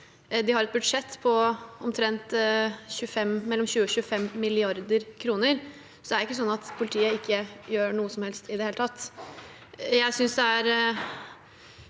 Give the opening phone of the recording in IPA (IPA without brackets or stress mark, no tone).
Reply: d̪